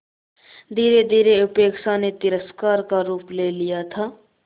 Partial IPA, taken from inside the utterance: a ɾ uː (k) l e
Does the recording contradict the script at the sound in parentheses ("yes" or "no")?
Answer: yes